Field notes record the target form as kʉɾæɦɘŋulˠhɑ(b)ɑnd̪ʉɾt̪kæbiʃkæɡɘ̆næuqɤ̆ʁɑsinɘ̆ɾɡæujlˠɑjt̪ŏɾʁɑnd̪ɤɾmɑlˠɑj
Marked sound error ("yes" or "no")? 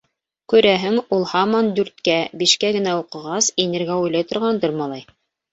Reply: yes